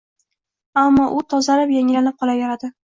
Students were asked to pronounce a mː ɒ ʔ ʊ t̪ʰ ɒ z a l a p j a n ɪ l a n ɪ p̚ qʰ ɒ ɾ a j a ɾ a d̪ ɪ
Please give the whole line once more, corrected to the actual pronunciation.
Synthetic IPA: a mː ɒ ʔ ʊ t̪ʰ ɒ z a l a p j a ŋ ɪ l a n ɪ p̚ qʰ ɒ l a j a ɾ a d̪ ɪ